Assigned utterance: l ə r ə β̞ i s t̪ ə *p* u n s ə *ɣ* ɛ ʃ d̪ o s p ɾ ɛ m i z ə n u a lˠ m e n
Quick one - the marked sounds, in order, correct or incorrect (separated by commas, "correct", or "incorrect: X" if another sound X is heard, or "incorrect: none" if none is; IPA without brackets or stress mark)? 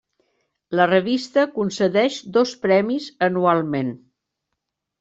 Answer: incorrect: k, incorrect: ð